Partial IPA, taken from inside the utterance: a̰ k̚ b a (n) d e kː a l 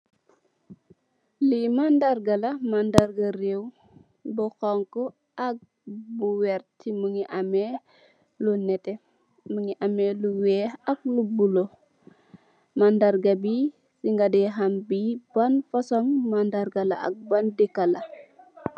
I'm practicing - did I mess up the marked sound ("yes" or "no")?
no